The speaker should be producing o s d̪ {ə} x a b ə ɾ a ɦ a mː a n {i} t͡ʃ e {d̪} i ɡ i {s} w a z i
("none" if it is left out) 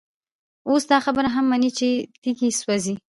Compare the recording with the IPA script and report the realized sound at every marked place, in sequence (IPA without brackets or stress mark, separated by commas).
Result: ɑ, i, t̪, s